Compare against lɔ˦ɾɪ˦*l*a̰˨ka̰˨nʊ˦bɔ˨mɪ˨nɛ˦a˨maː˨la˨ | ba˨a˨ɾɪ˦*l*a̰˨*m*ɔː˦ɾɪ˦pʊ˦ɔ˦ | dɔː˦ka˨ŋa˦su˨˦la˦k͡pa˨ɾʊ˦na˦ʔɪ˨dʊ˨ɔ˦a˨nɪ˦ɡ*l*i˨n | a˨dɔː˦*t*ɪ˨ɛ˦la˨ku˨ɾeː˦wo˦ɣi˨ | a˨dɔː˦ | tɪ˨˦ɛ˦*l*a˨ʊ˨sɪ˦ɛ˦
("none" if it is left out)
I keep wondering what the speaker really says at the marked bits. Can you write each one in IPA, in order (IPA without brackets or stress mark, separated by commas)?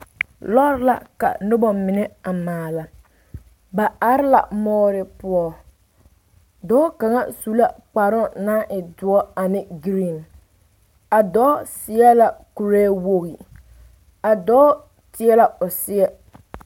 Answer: l, l, m, ɾ, s, l